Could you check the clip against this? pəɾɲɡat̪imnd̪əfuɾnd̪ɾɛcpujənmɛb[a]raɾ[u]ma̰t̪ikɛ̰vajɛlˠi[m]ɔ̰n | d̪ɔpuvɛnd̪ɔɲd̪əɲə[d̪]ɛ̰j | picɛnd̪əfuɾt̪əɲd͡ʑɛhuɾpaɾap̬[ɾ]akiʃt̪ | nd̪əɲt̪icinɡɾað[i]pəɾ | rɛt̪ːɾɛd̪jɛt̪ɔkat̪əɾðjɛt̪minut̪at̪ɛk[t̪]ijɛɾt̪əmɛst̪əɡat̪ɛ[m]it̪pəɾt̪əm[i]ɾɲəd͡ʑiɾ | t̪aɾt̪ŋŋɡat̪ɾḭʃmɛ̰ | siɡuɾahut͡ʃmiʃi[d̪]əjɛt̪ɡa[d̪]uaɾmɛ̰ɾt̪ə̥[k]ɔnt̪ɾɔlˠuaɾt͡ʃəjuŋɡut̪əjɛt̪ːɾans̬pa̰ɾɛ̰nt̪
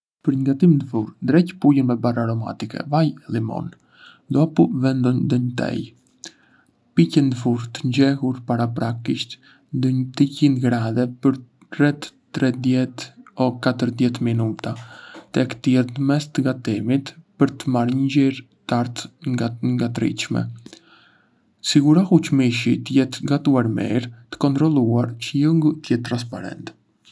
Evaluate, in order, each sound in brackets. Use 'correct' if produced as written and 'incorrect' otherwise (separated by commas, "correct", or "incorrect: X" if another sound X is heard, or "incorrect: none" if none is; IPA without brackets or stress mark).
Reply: correct, incorrect: ɔ, correct, incorrect: t̪, correct, incorrect: ɛ, correct, correct, incorrect: a, incorrect: t̪, incorrect: t̪, correct